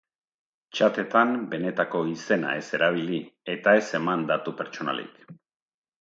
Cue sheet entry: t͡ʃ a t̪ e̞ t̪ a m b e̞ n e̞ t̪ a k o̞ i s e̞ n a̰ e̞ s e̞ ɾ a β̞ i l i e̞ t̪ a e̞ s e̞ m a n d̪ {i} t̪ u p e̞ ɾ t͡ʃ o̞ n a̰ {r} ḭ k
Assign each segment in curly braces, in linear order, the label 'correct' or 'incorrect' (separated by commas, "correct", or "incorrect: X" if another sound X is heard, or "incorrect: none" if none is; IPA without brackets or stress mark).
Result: incorrect: a, incorrect: l